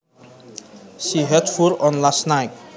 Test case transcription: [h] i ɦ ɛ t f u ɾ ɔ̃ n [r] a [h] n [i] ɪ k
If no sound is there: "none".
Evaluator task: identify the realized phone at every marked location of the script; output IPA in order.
ʃ, l, s, a

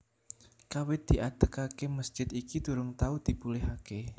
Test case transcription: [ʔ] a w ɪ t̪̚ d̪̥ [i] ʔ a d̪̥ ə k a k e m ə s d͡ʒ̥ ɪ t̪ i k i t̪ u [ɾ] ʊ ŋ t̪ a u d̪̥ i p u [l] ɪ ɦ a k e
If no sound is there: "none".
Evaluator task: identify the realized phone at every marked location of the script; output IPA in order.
k, i, ɾ, l

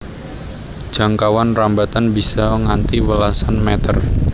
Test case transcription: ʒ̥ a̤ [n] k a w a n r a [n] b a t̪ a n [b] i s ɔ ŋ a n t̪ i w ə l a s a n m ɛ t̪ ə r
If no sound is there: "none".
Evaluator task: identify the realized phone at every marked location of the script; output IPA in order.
ŋ, m, b

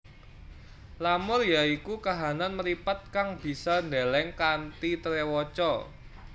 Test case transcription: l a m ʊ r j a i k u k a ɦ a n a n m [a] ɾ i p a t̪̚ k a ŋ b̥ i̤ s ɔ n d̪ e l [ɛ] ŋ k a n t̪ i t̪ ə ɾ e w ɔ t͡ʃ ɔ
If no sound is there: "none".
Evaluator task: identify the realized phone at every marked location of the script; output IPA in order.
ə, ɛ

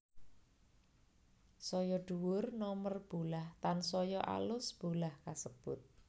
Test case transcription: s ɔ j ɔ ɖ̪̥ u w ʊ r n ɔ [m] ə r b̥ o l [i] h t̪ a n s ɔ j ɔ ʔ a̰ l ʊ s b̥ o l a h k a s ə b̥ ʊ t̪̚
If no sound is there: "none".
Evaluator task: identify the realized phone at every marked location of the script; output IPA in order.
m, a

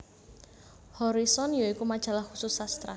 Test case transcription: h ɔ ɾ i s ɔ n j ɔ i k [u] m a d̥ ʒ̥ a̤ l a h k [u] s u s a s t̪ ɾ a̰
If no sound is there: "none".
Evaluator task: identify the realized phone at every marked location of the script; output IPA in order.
u, u

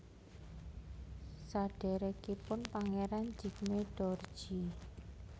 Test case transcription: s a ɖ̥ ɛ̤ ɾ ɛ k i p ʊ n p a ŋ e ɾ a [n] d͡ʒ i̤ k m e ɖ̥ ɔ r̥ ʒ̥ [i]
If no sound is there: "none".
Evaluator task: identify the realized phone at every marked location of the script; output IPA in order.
n, i

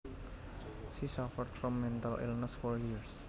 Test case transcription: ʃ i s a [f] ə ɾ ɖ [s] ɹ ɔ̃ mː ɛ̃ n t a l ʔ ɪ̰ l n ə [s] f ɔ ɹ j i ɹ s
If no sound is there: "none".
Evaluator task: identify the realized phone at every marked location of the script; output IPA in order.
f, f, s

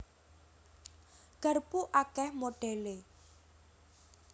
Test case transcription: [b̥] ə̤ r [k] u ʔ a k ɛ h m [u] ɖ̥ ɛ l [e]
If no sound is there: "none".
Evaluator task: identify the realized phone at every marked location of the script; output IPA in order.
ɡ̥, p, o, e

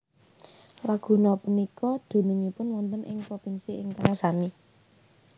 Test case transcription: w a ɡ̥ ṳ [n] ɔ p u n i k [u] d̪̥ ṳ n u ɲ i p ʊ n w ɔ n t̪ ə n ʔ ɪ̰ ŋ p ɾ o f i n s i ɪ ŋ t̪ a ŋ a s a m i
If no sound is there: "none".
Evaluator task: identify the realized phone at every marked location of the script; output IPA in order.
n, ɔ

